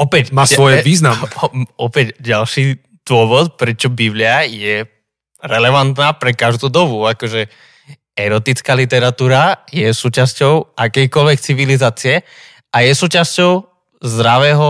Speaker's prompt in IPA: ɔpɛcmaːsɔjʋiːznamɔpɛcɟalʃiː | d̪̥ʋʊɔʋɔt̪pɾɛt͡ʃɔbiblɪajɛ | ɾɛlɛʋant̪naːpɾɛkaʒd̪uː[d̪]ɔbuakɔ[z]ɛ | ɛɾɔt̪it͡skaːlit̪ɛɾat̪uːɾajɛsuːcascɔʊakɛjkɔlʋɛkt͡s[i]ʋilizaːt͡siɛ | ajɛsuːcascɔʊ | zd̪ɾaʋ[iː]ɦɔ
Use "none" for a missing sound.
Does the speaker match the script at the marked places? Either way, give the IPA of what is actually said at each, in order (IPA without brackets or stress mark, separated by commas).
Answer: d̪, ʒ, i, ɛː